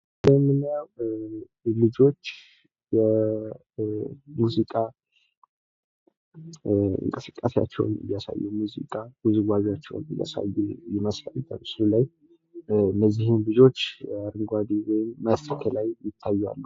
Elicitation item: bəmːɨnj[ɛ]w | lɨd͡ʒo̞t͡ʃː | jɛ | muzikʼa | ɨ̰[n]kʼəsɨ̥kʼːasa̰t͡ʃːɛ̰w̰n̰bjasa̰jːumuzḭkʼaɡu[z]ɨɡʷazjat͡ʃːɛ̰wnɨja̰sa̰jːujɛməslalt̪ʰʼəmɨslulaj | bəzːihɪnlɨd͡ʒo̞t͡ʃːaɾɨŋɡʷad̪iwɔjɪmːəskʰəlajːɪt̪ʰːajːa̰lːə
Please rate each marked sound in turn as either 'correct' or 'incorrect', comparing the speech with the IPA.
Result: incorrect: a, incorrect: ŋ, correct

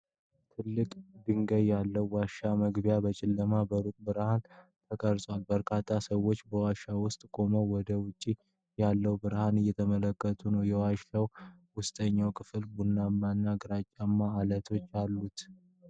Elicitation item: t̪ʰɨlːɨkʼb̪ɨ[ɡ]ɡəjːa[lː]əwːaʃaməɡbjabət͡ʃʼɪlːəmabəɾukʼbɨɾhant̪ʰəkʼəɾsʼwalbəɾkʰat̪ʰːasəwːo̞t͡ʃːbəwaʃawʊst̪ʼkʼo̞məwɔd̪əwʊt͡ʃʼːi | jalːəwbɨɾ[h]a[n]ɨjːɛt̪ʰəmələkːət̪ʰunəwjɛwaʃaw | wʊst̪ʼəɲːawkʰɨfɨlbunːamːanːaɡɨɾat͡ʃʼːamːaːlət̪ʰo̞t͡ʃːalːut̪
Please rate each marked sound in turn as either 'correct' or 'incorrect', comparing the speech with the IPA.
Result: incorrect: ŋ, correct, correct, correct

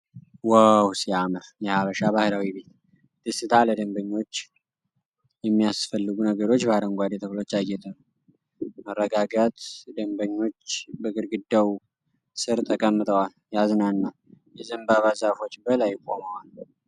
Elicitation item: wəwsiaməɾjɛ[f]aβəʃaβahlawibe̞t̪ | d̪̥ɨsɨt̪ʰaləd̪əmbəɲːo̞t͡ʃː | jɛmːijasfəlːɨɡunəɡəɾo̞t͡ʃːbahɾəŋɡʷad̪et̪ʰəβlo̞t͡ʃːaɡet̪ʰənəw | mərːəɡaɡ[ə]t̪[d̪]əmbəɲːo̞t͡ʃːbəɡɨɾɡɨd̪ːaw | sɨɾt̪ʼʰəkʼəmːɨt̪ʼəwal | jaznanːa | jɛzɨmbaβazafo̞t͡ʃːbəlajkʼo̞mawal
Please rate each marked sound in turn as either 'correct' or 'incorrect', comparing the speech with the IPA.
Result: incorrect: h, correct, correct

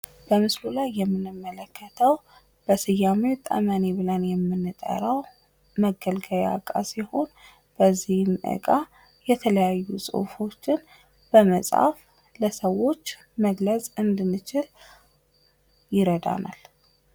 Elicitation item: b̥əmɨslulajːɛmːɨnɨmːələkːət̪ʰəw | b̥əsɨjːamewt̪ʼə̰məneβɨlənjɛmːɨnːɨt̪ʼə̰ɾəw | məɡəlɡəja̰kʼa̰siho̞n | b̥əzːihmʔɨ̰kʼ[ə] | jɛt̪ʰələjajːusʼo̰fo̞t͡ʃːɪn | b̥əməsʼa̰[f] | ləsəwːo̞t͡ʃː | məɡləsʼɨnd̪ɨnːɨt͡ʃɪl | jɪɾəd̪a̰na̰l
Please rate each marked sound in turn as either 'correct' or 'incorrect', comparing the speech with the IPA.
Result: incorrect: a, correct

